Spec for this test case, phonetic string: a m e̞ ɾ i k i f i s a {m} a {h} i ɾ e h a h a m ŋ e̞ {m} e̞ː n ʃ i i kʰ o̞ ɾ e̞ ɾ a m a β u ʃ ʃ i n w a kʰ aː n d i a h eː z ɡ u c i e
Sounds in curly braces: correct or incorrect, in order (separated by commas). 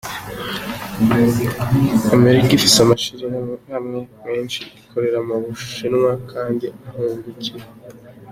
correct, incorrect, correct